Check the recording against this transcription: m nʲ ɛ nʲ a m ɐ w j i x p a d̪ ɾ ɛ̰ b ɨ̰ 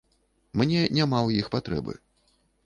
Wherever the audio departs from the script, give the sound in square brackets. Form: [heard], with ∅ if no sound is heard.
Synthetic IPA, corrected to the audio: m nʲ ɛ nʲ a m [a] w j i x p a [t̪] ɾ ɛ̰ b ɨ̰